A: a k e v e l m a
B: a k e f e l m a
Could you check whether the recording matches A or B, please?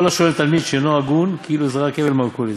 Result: A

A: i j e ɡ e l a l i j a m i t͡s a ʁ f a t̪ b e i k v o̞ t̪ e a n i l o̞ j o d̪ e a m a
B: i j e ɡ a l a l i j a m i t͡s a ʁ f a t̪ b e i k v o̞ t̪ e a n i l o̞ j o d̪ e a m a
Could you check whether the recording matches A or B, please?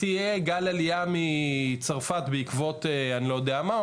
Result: B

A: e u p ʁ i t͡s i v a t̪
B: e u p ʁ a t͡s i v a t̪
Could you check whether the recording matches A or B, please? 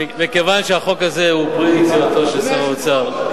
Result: A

